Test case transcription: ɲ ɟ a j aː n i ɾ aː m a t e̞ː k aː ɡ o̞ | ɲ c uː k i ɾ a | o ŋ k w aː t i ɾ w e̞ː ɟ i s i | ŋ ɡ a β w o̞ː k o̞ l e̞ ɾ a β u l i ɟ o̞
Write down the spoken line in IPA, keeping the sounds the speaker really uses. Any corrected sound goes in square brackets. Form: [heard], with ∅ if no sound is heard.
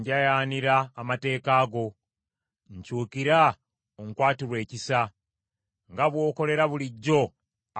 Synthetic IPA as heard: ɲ ɟ a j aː n i ɾ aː m a t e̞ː k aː ɡ o̞ | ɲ c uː k i ɾ a | o ŋ k w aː t i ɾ w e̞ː [c] i s [a] | ŋ ɡ a β w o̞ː k o̞ l e̞ ɾ a β u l i [ɟː] o̞